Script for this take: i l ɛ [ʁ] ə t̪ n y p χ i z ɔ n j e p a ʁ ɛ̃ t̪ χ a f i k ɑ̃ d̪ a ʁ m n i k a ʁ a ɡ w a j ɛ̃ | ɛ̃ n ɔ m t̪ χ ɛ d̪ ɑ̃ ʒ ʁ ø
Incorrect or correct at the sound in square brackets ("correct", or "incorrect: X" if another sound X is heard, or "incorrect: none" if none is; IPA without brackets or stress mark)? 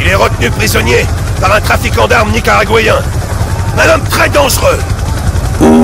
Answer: correct